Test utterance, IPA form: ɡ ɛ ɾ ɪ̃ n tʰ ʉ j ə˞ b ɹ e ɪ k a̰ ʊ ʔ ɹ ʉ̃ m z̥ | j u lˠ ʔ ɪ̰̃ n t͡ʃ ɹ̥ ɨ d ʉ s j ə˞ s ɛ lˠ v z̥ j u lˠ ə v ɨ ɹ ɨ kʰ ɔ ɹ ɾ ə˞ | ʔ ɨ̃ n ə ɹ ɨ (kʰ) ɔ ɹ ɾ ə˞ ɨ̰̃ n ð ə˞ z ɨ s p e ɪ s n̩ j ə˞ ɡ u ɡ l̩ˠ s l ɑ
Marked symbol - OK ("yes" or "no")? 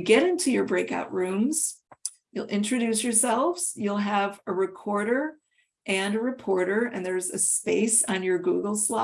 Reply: no